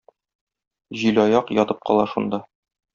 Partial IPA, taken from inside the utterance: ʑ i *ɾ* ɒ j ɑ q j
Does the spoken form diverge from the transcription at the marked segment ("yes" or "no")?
yes